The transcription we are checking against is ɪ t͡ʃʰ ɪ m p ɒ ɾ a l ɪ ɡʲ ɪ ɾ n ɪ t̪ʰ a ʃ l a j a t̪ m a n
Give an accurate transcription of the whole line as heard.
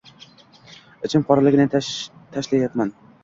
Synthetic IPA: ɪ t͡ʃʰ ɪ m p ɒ ɾ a l ɪ ɡʲ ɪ n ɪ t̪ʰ a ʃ l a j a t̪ m a n

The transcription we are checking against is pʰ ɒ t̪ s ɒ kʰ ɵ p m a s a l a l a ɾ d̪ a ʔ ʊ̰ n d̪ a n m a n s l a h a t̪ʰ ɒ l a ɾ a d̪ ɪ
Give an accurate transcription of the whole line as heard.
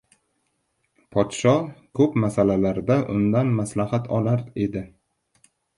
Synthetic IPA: pʰ ɒ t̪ ʃ ɒ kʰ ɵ p m a s a l a l a ɾ d̪ a ʔ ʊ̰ n d̪ a n m a s l a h a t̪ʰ ɒ l a ɾ e d̪ ɪ

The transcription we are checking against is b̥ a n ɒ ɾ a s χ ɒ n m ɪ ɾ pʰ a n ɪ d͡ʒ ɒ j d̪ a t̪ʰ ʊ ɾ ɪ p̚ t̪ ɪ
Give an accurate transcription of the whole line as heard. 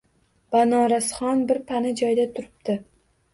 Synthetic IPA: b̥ a n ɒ ɾ a s χ ɒ n b ɪ ɾ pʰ a n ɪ d͡ʒ ɒ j d̪ a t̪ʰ ʊ ɾ ɪ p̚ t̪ ɪ

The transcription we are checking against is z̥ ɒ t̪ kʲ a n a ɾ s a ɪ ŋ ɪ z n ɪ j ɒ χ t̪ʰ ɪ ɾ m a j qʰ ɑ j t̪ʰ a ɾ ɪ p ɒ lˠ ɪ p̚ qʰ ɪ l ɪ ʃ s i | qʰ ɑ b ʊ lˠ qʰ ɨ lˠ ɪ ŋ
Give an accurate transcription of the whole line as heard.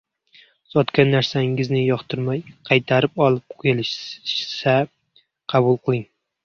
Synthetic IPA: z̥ ɒ t̪ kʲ a nː a ɾ s a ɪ ŋ ɪ z n ɪ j ɒ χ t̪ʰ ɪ ɾ m a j qʰ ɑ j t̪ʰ a ɾ ɪ p ɒ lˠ ɪ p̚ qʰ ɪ l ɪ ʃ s a | qʰ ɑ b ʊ lˠ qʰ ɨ lˠ ɪ ŋ

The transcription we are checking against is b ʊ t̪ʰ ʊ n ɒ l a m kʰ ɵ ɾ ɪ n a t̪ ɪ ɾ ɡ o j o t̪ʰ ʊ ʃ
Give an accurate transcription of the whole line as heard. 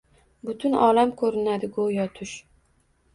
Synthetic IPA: b ʊ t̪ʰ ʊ n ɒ l a m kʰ ɵ ɾ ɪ n a d̪ ɪ ɡ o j ɒ t̪ʰ ʊ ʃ

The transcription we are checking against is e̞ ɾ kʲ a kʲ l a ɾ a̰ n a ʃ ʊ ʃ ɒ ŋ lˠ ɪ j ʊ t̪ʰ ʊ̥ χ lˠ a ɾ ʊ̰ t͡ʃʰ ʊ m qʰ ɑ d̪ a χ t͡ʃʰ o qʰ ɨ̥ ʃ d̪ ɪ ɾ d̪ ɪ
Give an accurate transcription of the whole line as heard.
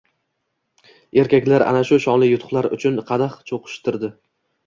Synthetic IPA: e̞ ɾ kʲ a kʲ l a ɾ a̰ n a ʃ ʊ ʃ ɒ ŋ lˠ ɪ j ʊ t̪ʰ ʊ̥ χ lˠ a ɾ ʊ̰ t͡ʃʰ ʊ n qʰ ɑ d̪ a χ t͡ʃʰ o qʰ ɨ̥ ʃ t̪ ɪ ɾ d̪ ɪ

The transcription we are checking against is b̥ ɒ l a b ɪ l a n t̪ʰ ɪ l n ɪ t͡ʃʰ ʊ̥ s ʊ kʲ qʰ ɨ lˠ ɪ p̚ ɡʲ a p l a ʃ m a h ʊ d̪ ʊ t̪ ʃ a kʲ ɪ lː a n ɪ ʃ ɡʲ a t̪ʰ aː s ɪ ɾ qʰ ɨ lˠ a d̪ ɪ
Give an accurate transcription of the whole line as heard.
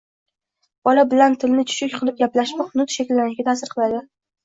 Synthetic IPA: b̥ ɒ l a b ɪ l a n t̪ʰ ɪ l n ɪ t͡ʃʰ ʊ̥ ʃ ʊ kʲ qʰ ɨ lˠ ɪ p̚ ɡʲ a p l a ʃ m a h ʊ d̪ ʊ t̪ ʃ a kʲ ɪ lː a n ɪ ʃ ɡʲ a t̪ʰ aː s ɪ ɾ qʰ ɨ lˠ a d̪ ɪ

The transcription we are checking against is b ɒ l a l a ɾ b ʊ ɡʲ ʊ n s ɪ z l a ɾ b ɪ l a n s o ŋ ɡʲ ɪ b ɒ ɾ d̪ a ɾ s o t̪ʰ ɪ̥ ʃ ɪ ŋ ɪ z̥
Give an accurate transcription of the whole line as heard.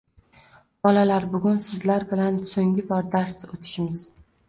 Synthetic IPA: b ɒ l a l a ɾ b ʊ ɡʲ ʊ n s ɪ z l a ɾ b ɪ l a n s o ŋ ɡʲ ɪ b ɒ ɾ d̪ a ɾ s o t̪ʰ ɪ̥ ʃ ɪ m ɪ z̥

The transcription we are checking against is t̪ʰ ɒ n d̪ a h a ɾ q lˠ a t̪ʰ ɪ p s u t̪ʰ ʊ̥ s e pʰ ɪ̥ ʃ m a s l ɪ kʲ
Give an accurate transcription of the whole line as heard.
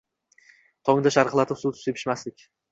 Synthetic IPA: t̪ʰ ɒ ŋ d̪ a ʃ a ɾ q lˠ a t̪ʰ ɪ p s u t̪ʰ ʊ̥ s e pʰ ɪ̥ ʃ m a s l ɪ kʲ

